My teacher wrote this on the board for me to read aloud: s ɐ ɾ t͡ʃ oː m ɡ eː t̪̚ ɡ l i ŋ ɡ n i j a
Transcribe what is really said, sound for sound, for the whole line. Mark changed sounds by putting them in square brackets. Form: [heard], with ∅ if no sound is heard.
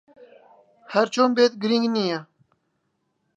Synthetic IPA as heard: [h] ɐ ɾ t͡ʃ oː m [b] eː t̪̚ ɡ [ɾ] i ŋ ɡ n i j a

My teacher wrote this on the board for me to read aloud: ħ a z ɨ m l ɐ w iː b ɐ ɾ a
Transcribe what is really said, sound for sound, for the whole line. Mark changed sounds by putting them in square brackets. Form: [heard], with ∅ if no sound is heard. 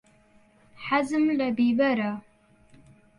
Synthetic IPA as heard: ħ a z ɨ m l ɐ [b] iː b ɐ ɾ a

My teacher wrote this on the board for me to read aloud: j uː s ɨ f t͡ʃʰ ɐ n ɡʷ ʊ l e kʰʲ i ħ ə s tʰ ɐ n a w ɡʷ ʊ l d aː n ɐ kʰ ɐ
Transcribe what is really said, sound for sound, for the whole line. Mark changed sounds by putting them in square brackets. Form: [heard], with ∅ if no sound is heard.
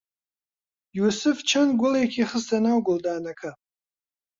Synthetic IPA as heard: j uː s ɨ f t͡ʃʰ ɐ n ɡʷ ʊ l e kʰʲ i [χ] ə s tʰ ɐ n a w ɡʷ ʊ l d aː n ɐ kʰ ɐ

